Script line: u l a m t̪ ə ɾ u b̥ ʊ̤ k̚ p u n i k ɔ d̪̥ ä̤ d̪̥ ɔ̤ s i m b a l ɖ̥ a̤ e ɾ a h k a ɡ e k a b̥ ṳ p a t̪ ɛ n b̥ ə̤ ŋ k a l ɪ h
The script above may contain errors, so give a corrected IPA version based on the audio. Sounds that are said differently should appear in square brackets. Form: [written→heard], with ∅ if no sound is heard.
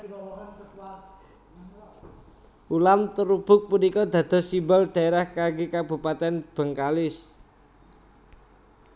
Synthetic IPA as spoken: u l a m t̪ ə ɾ u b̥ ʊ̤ k̚ p u n i k ɔ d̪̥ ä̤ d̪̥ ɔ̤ s i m b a l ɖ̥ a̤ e ɾ a h k a ɡ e k a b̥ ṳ p a t̪ ɛ n b̥ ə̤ ŋ k a l ɪ [h→s]